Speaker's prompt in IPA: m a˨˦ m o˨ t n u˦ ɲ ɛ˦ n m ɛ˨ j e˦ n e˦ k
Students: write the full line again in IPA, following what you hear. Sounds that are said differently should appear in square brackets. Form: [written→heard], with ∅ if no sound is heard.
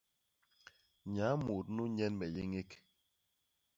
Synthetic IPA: [m→ɲ] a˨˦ m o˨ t n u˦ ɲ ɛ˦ n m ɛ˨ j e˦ [n→ŋ] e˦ k

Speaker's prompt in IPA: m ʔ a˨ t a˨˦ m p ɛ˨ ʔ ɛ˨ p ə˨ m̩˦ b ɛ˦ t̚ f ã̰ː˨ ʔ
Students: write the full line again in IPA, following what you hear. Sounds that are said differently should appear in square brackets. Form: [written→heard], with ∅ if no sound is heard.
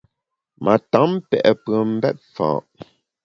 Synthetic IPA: m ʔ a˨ t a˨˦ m p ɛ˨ ʔ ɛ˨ p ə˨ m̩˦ b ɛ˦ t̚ f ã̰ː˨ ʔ

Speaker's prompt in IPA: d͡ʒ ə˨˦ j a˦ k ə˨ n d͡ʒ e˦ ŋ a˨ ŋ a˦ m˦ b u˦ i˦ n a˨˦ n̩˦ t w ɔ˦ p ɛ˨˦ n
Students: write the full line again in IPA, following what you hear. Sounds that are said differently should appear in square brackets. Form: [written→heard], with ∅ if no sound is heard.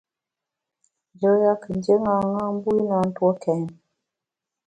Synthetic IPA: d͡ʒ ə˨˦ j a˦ k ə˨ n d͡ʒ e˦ ŋ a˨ ŋ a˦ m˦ b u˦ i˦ n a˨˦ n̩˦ t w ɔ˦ [p→k] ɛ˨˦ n

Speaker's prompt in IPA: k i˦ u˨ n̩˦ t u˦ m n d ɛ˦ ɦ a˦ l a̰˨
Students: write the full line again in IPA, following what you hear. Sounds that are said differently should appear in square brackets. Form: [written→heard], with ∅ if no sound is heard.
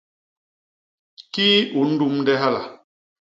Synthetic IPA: k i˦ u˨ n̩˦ [t→d] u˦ m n d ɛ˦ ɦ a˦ l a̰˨

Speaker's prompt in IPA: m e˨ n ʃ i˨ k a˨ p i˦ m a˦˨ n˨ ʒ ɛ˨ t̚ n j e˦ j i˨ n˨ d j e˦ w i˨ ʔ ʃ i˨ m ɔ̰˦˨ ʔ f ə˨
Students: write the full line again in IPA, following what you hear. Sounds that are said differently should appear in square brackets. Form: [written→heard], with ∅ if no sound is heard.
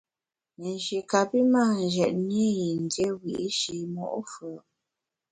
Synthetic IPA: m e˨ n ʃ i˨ k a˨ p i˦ m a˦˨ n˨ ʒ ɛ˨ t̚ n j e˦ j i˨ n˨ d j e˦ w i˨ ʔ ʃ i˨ m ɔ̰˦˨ ʔ f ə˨

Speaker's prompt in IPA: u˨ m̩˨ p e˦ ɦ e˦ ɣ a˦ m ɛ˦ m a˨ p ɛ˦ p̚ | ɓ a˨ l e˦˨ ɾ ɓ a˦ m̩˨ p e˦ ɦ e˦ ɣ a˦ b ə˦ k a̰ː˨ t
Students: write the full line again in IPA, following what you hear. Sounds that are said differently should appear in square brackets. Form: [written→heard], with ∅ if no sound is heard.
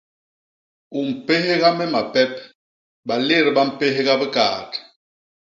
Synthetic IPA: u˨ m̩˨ p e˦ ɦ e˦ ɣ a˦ m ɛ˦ m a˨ p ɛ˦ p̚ | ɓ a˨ l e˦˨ ɾ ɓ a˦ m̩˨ p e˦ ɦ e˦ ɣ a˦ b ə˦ k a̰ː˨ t

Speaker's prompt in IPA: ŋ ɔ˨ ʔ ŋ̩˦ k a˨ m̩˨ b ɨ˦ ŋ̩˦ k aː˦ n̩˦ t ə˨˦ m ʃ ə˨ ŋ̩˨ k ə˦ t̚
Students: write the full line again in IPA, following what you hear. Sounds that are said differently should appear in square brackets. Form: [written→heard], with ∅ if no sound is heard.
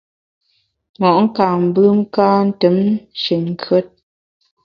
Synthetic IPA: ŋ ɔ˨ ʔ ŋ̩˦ k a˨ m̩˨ b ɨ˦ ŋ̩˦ k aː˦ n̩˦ t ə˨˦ m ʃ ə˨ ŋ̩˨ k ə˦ t̚

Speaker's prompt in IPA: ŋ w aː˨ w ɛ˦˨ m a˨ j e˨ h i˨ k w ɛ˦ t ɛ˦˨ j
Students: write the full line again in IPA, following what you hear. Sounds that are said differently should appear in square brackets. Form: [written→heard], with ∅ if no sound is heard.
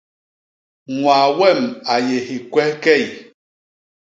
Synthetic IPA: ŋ w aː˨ w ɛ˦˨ m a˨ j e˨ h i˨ k w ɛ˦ [t→k] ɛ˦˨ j

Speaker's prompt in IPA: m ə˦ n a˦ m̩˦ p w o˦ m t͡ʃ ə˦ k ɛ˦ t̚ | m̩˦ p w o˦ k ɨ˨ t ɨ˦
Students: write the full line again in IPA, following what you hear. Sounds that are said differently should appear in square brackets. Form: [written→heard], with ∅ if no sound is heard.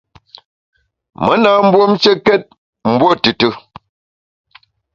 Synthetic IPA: m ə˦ n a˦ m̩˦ [p→b] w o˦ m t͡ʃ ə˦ k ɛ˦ t̚ | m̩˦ [p→b] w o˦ [k→t] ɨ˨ t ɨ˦

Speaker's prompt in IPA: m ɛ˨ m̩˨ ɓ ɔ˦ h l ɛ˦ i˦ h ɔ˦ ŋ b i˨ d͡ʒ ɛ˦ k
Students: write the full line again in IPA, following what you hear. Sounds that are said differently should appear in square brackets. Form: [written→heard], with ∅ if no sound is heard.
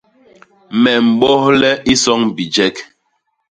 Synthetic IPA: m ɛ˨ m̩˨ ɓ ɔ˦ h l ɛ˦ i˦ [h→s] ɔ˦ ŋ b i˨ d͡ʒ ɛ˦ k

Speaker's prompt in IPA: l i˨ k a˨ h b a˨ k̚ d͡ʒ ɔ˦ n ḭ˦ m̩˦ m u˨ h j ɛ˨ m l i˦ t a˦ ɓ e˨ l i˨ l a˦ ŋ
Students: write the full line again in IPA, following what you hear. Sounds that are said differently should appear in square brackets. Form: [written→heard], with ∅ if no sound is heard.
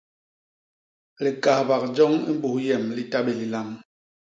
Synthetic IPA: l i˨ k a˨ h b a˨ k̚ d͡ʒ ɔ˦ [n→ŋ] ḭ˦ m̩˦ [m→b] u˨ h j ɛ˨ m l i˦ t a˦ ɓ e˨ l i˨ l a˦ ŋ

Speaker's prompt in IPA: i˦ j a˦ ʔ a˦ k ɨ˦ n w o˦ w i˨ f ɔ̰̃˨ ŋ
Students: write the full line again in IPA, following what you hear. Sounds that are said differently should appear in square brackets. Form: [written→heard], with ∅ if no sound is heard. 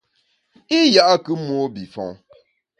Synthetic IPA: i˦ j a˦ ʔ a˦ k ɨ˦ [n→m] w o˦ [w→b] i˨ f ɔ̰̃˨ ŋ

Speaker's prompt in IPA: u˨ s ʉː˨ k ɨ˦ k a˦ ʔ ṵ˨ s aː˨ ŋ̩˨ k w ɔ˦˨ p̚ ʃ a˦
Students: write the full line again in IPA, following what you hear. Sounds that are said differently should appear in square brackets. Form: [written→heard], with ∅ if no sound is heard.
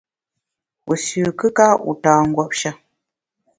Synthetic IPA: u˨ s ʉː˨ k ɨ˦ k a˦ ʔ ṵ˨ [s→t] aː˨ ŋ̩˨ [k→ɡ] w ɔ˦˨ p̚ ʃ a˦

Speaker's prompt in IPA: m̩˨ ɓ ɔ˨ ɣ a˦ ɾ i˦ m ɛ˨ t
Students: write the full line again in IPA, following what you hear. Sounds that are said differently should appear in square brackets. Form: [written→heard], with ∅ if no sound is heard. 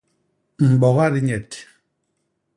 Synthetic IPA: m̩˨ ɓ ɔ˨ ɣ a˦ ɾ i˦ [m→ɲ] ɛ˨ t

